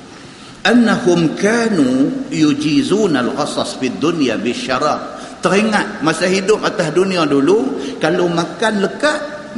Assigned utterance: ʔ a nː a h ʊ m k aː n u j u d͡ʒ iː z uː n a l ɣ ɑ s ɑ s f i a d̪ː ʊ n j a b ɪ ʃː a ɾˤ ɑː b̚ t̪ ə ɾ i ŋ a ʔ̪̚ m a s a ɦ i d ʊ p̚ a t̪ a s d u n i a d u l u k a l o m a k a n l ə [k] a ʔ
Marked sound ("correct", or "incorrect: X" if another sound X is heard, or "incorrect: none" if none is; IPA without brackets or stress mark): correct